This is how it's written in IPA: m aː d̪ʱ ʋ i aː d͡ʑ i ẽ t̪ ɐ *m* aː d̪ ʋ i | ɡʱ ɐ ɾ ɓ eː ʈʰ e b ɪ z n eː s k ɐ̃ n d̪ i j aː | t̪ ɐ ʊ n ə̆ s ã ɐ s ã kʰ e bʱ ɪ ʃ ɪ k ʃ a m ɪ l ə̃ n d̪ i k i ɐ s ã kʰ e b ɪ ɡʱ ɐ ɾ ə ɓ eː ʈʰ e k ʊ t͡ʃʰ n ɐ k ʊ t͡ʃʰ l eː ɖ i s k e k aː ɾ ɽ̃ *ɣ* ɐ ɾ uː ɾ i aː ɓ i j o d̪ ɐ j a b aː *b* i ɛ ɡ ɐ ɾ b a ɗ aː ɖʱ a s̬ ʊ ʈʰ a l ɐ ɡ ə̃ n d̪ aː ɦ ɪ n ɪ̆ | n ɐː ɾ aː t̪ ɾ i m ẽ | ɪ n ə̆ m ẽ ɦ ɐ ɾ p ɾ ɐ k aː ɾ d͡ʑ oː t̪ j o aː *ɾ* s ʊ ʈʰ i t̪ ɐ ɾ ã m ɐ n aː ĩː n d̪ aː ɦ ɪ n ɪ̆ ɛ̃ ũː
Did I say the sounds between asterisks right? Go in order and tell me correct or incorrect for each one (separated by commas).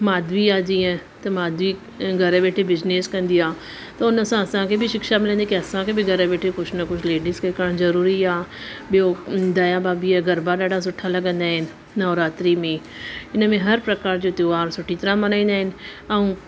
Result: correct, incorrect, correct, correct